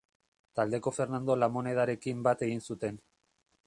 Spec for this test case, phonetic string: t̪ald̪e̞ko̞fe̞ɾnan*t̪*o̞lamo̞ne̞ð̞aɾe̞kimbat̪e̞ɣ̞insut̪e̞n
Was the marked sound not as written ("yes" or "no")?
yes